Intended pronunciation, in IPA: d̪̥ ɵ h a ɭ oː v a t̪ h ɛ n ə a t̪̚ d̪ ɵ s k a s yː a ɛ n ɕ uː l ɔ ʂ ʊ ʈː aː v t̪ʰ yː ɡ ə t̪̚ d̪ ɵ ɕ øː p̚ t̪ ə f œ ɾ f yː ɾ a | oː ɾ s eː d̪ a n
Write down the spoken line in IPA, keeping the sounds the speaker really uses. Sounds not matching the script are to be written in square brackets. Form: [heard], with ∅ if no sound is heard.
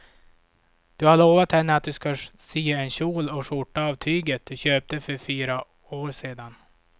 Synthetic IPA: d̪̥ ɵ h a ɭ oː v a t̪ h ɛ [nː] ə a t̪̚ d̪ ɵ s k a s yː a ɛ n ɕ uː l ɔ ʂ ʊ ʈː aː v t̪ʰ yː ɡ ə t̪̚ d̪ ɵ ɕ øː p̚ t̪ ə f œ ɾ f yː ɾ a | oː ɾ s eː d̪ a n